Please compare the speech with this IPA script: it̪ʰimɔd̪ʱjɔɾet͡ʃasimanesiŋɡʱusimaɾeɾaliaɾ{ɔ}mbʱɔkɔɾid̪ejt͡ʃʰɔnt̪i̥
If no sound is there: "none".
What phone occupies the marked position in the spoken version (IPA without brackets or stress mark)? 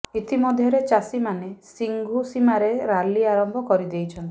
ɔ